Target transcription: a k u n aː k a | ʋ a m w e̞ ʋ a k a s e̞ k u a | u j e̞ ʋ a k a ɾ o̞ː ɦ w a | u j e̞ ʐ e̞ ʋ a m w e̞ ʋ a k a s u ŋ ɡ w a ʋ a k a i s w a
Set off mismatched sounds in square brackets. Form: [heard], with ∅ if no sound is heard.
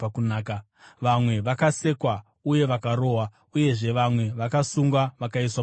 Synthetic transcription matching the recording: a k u n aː k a | ʋ a m w e̞ ʋ a k a s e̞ k [w] a | u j e̞ ʋ a k a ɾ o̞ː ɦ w a | u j e̞ ʐ e̞ ʋ a m w e̞ ʋ a k a s u ŋ ɡ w a ʋ a k a i s w a

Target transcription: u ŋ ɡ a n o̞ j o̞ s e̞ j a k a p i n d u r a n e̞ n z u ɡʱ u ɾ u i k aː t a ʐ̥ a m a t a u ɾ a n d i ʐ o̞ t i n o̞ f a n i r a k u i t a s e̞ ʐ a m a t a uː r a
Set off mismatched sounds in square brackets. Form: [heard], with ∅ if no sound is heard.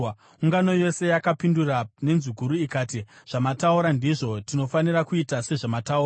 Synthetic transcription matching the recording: u ŋ ɡ a n o̞ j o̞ s e̞ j a k a p i n d u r a n e̞ n z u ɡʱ u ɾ u i k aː t [i] ʐ̥ a m a t a u ɾ a n d i ʐ o̞ t i n o̞ f a n i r a k u i t a s e̞ ʐ a m a t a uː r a

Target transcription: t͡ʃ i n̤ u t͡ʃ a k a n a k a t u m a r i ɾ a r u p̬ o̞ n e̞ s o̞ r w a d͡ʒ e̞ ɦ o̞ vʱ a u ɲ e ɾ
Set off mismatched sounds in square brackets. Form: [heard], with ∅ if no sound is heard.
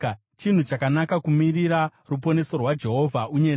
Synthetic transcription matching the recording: t͡ʃ i n̤ u t͡ʃ a k a n a k a [k] u m [i] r i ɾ a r u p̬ o̞ n e̞ s o̞ r w a d͡ʒ e̞ ɦ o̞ vʱ a u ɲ e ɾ

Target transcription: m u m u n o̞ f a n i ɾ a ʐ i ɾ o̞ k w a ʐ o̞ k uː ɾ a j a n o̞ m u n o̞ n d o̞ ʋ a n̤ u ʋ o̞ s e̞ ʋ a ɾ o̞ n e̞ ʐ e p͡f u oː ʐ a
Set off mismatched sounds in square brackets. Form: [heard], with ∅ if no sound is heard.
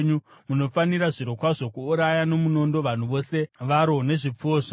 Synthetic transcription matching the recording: [ɲ] u m u n o̞ f a n i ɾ a ʐ i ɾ o̞ k w a ʐ o̞ k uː ɾ a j a n o̞ m u n o̞ n d o̞ ʋ a n̤ u ʋ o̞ s e̞ ʋ a ɾ o̞ n e̞ ʐ [i] p͡f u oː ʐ a

